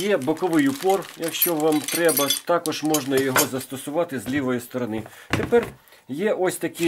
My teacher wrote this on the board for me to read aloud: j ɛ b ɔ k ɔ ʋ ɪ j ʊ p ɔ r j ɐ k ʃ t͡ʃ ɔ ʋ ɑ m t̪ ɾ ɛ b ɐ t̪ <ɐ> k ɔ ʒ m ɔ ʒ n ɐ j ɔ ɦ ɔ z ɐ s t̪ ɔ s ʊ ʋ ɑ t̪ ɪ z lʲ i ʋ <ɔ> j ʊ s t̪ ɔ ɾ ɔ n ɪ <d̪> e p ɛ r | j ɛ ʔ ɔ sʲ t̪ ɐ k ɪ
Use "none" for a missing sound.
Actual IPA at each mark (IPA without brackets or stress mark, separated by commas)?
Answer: ɑ, ɔ, t̪